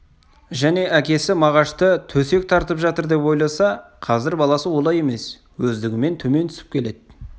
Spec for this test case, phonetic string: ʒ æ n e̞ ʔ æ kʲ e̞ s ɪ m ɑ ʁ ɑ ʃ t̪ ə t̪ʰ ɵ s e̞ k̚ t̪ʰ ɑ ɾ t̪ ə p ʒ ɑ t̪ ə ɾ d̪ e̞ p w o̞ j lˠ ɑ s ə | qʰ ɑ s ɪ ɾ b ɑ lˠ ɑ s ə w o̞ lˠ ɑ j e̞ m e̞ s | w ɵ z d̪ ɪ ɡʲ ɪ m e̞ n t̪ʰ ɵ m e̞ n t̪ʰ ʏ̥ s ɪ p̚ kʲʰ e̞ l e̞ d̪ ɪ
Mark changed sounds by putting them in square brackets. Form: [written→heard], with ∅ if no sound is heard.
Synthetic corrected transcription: ʒ æ n e̞ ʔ æ kʲ e̞ s ɪ m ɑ ʁ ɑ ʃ t̪ ə t̪ʰ ɵ s e̞ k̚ t̪ʰ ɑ ɾ t̪ ə p ʒ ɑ t̪ ə ɾ d̪ e̞ p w o̞ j lˠ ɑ s [ə→ɑ] | qʰ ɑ [s→z] ɪ ɾ b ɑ lˠ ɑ s ə w o̞ lˠ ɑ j e̞ m e̞ s | w ɵ z d̪ ɪ ɡʲ ɪ m e̞ n t̪ʰ ɵ m e̞ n t̪ʰ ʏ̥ s ɪ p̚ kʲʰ e̞ l e̞ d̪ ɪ